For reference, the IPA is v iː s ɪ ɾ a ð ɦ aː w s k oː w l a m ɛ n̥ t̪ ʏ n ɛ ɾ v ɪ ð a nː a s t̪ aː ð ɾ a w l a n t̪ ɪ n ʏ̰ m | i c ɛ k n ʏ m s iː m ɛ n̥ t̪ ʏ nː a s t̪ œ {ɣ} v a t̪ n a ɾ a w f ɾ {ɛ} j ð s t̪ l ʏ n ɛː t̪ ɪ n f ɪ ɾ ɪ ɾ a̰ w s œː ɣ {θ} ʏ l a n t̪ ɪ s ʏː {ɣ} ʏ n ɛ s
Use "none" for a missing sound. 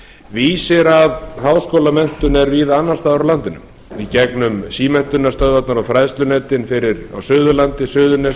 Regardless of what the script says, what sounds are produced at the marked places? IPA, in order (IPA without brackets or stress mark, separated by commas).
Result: ð, a, ð, ð